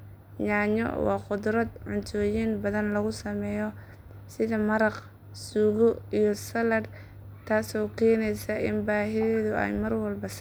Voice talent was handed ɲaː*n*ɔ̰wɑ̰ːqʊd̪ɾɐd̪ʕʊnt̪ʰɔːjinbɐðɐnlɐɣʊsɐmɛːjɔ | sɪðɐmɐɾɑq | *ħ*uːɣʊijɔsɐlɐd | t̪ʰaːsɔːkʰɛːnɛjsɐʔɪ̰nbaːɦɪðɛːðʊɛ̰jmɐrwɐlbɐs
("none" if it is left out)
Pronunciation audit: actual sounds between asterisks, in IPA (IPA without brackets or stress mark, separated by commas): ɲ, s